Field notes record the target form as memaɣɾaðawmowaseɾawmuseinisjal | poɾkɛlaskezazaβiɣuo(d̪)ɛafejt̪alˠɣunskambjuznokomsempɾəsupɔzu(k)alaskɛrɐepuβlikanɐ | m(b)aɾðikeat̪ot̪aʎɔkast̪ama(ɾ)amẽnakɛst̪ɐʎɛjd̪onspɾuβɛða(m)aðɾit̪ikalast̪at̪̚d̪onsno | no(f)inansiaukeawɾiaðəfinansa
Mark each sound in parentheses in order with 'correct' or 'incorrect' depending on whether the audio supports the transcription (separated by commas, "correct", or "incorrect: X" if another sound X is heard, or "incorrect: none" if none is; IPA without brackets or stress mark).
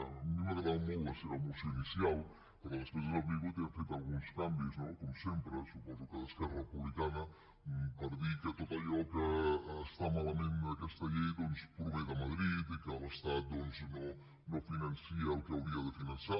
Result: incorrect: t̪, correct, incorrect: p, incorrect: l, correct, correct